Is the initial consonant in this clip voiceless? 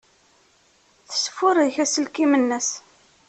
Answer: yes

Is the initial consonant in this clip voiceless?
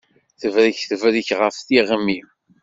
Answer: yes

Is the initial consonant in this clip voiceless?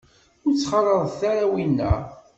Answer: no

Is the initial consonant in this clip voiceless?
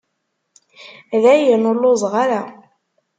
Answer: no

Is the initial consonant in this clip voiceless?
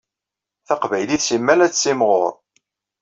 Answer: yes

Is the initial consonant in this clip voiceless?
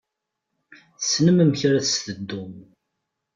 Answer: yes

